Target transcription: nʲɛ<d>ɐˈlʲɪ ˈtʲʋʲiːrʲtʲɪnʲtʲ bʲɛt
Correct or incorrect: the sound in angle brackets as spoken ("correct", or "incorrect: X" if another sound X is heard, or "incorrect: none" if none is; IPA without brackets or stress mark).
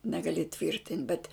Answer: incorrect: ɡ